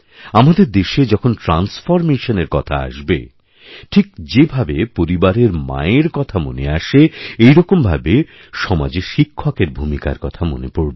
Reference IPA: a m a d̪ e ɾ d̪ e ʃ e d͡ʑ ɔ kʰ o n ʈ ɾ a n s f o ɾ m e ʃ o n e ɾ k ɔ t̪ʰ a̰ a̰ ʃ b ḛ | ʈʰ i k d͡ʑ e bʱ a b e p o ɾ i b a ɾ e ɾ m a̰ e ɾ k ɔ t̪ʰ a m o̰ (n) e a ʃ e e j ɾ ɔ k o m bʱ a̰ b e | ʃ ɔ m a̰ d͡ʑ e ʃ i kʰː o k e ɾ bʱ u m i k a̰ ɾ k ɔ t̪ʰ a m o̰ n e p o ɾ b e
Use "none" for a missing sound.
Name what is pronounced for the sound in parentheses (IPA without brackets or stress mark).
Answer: n